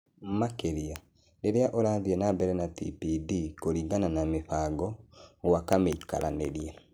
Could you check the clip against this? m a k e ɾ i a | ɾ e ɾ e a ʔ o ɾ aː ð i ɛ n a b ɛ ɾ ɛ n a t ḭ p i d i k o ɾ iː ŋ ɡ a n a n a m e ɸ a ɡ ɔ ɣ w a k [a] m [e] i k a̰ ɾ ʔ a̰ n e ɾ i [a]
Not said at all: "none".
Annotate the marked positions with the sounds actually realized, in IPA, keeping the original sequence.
a, e, ɛ

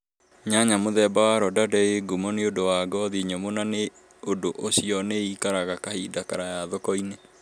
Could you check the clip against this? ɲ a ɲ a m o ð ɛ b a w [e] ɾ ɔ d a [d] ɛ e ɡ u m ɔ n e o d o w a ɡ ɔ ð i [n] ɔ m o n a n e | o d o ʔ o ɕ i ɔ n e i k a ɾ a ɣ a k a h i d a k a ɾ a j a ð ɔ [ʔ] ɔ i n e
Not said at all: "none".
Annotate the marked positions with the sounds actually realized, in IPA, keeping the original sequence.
a, d, ɲ, k

